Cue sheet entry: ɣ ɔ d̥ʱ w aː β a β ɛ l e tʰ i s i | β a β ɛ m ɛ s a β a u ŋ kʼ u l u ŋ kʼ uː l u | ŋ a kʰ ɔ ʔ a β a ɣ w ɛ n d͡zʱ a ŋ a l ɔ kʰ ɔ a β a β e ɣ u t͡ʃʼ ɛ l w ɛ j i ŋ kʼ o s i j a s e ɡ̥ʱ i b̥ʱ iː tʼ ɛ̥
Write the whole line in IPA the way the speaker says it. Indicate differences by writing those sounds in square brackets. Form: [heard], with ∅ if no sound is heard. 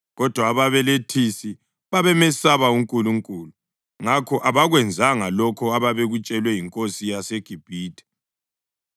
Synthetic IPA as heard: ɣ ɔ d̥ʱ w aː β a β ɛ l e tʰ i s i | β a β ɛ m ɛ s a β a u ŋ kʼ u l u ŋ kʼ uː l u | ŋ a kʰ ɔ ʔ a β a ɣ w ɛ n d͡zʱ a ŋ a l ɔ kʰ ɔ a β a β e ɣ u t͡ʃʼ ɛ l w ɛ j i ŋ kʼ o s i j a s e ɡ̥ʱ i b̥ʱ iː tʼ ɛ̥